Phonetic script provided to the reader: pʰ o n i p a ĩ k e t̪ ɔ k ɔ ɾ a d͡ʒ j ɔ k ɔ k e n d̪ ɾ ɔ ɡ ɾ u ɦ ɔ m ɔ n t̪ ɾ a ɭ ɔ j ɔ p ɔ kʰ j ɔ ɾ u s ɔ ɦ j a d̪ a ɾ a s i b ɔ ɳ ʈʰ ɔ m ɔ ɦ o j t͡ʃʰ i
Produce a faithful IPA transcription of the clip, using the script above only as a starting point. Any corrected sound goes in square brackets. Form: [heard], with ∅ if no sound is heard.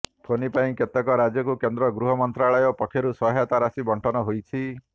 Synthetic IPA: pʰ o n i p a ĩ k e t̪ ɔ k ɔ ɾ a d͡ʒ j ɔ k [u] k e n d̪ ɾ ɔ ɡ ɾ u ɦ ɔ m ɔ n t̪ ɾ a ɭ ɔ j ɔ p ɔ kʰ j ɔ ɾ u s ɔ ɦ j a [t̪] a ɾ a s i b ɔ ɳ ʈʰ ɔ [n] ɔ ɦ o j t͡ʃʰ i

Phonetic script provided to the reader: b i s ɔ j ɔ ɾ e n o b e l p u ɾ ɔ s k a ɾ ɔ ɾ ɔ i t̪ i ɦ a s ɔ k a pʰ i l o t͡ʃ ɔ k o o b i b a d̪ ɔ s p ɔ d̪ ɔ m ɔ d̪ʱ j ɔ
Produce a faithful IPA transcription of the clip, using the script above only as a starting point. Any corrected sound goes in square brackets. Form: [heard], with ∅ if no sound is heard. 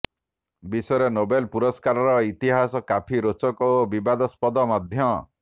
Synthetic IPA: b i s ɔ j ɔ ɾ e n o b e l p u ɾ ɔ s k a ɾ ɔ ɾ ɔ i t̪ i ɦ a s ɔ k a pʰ i [ɾ] o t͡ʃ ɔ k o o b i b a d̪ ɔ s p ɔ d̪ ɔ m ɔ d̪ʱ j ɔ

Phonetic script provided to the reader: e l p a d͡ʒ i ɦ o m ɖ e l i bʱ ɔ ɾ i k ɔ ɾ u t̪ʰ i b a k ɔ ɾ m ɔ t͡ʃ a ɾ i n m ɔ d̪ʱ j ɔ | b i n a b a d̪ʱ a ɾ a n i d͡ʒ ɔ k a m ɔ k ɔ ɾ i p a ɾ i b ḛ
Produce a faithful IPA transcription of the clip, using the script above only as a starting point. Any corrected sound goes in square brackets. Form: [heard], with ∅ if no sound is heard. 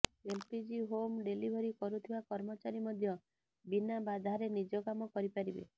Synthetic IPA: e l p [i] d͡ʒ i ɦ o m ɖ e l i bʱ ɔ ɾ i k ɔ ɾ u t̪ʰ i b a k ɔ ɾ m ɔ t͡ʃ a ɾ i [∅] m ɔ d̪ʱ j ɔ | b i n a b a d̪ʱ a ɾ [e] n i d͡ʒ ɔ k a m ɔ k ɔ ɾ i p a ɾ i b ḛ

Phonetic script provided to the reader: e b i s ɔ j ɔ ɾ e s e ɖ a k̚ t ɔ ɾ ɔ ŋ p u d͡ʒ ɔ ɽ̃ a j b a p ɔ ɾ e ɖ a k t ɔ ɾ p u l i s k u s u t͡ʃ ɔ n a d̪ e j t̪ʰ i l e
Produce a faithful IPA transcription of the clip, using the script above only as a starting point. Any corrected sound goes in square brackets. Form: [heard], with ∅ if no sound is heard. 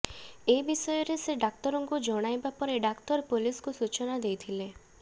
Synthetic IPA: e b i s ɔ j ɔ ɾ e s e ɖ a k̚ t ɔ ɾ ɔ ŋ [k] u d͡ʒ ɔ ɽ̃ a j b a p ɔ ɾ e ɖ a k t ɔ ɾ p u l i s k u s u t͡ʃ ɔ n a d̪ e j t̪ʰ i l e

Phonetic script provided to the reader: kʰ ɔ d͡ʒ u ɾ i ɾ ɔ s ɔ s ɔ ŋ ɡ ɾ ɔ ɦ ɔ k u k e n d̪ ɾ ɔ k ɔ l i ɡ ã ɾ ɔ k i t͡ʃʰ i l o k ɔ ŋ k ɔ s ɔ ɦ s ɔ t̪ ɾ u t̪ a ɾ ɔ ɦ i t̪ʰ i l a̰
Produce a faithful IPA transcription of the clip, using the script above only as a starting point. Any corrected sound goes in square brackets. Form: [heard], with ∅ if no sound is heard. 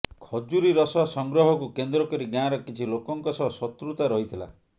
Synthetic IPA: kʰ ɔ d͡ʒ u ɾ i ɾ ɔ s ɔ s ɔ ŋ ɡ ɾ ɔ ɦ ɔ k u k e n d̪ ɾ ɔ k ɔ [ɾ] i ɡ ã ɾ ɔ k i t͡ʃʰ i l o k ɔ ŋ k ɔ s ɔ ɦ s ɔ t̪ ɾ u t̪ a ɾ ɔ ɦ i t̪ʰ i l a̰

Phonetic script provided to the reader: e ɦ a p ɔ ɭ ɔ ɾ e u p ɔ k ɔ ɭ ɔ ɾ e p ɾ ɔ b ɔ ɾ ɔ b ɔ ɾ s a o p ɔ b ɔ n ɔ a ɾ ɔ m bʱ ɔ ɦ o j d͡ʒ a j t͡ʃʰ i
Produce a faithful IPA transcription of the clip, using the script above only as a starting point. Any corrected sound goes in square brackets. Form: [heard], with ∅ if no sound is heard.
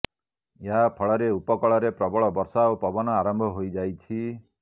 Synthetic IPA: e ɦ a [pʰ] ɔ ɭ ɔ ɾ e u p ɔ k ɔ ɭ ɔ ɾ e p ɾ ɔ b ɔ [ɭ] ɔ b ɔ ɾ s a o p ɔ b ɔ n ɔ a ɾ ɔ m bʱ ɔ ɦ o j d͡ʒ a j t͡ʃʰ i

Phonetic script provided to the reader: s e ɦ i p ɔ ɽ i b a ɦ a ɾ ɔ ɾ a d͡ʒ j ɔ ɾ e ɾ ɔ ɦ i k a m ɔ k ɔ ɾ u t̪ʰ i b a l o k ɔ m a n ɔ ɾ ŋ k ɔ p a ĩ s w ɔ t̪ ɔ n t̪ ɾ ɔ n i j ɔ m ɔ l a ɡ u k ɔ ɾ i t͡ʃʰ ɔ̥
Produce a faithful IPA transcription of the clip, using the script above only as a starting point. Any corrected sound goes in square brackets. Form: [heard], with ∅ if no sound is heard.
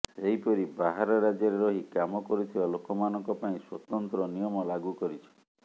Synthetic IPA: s e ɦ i p ɔ [ɾ] i b a ɦ a ɾ ɔ ɾ a d͡ʒ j ɔ ɾ e ɾ ɔ ɦ i k a m ɔ k ɔ ɾ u t̪ʰ i b a l o k ɔ m a n ɔ [∅] ŋ k ɔ p a ĩ s w ɔ t̪ ɔ n t̪ ɾ ɔ n i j ɔ m ɔ l a ɡ u k ɔ ɾ i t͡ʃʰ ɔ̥

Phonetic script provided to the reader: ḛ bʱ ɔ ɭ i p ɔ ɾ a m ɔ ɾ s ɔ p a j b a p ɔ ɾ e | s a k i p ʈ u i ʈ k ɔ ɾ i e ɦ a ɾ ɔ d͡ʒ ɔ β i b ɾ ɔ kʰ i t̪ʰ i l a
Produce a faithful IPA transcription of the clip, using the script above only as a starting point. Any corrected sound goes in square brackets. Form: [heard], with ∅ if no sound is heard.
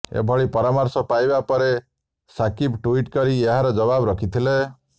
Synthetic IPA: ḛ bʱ ɔ ɭ i p ɔ ɾ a m ɔ ɾ s ɔ p a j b a p ɔ ɾ e | s a k i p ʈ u i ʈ k ɔ ɾ i e ɦ a ɾ ɔ d͡ʒ ɔ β [a] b ɾ ɔ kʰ i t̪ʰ i l [e]

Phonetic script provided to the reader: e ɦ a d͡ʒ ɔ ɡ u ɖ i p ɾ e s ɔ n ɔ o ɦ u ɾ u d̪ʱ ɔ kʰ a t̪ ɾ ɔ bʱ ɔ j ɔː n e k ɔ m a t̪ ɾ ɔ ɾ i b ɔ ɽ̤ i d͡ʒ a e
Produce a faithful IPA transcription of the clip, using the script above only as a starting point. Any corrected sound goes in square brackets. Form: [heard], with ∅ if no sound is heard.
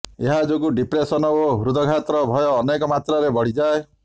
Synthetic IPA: e ɦ a d͡ʒ [o] ɡ u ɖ i p ɾ e s ɔ n ɔ o ɦ u ɾ u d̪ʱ ɔ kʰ a t̪ ɾ ɔ bʱ ɔ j ɔː n e k ɔ m a t̪ ɾ ɔ ɾ [e] b ɔ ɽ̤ i d͡ʒ a e

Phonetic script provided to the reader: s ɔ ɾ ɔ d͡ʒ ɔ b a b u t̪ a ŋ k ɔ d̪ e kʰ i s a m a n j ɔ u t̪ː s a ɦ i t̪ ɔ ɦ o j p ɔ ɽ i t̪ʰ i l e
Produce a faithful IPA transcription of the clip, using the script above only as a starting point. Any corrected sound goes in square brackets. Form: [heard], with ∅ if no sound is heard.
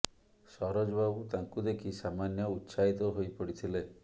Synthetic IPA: s ɔ ɾ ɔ d͡ʒ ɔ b a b u t̪ a ŋ k [u] d̪ e kʰ i s a m a n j ɔ u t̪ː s a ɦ i t̪ ɔ ɦ o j p ɔ ɽ i t̪ʰ i l e

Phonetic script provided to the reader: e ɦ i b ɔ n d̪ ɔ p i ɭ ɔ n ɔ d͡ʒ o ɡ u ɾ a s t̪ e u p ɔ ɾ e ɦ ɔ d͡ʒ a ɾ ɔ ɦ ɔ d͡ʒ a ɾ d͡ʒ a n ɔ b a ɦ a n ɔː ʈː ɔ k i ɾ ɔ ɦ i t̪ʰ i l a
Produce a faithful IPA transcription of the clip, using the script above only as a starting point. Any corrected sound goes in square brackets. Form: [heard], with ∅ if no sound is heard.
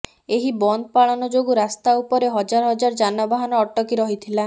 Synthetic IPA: e ɦ i b ɔ n d̪ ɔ p [a] ɭ ɔ n ɔ d͡ʒ o ɡ u ɾ a s t̪ [a] u p ɔ ɾ e ɦ ɔ d͡ʒ a ɾ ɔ ɦ ɔ d͡ʒ a ɾ d͡ʒ a n ɔ b a ɦ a n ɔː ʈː ɔ k i ɾ ɔ ɦ i t̪ʰ i l a

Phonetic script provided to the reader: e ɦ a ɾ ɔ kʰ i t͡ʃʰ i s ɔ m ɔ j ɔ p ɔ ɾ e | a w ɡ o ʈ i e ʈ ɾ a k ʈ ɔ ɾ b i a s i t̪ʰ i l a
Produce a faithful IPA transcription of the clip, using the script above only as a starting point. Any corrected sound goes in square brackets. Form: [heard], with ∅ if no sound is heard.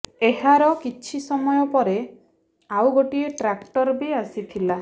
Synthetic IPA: e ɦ a ɾ ɔ [k] i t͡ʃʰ i s ɔ m ɔ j ɔ p ɔ ɾ e | a w ɡ o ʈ i e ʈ ɾ a k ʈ ɔ ɾ b i a s i t̪ʰ i l a

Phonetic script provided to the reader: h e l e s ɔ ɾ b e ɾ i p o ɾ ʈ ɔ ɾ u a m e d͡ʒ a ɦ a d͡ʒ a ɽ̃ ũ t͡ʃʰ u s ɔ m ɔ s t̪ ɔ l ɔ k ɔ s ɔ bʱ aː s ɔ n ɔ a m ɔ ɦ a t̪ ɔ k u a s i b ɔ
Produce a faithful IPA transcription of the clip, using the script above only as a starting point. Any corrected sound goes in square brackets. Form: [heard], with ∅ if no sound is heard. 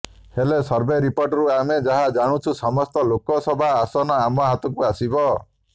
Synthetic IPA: h e l e s ɔ ɾ b e ɾ i p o ɾ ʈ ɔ ɾ u a m e d͡ʒ a ɦ a d͡ʒ a ɽ̃ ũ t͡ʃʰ u s ɔ m ɔ s t̪ ɔ l [o] k ɔ s ɔ bʱ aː s ɔ n ɔ a m ɔ ɦ a t̪ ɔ k u a s i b ɔ

